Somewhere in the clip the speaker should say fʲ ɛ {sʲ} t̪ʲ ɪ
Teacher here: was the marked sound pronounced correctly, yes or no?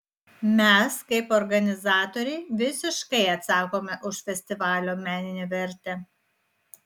yes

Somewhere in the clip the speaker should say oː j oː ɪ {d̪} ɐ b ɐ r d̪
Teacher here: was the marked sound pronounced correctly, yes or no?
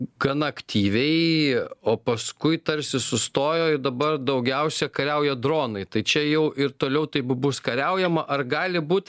yes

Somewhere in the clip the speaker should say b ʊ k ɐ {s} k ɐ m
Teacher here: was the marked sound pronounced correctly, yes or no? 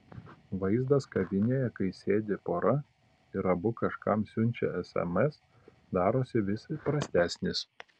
no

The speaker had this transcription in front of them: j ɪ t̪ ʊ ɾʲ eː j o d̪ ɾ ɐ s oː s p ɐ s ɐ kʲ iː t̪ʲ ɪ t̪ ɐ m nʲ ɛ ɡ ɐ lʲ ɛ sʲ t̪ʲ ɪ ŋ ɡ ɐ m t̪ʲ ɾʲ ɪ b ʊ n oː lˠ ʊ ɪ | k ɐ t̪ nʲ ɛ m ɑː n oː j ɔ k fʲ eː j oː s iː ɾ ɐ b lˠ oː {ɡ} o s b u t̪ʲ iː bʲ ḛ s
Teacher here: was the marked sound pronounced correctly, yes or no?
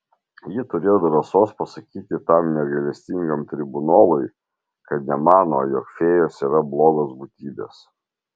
yes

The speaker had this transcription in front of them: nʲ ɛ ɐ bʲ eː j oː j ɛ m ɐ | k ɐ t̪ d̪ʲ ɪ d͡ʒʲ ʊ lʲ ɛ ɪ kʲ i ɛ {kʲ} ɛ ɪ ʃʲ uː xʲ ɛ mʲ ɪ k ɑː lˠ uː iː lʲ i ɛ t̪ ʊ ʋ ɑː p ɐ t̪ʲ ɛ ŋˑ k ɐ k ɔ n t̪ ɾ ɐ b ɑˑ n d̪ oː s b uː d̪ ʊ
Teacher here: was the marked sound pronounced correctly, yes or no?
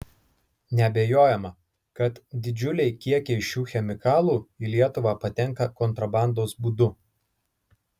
yes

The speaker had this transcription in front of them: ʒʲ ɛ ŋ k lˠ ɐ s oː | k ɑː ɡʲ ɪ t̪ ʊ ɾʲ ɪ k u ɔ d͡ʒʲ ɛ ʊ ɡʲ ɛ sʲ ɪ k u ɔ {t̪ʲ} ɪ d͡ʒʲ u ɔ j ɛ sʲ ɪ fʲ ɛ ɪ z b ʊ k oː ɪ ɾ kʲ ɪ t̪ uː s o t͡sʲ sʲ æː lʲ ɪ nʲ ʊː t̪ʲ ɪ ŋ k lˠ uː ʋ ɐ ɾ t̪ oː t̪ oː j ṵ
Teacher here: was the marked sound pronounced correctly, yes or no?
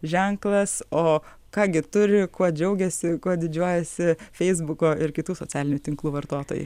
no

